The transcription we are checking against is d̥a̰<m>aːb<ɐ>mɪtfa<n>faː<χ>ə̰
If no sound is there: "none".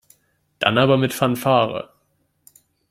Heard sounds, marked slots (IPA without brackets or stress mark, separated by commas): n, ɐ, n, ʁ